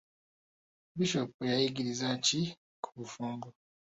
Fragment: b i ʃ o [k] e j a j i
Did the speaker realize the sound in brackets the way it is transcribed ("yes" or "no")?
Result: no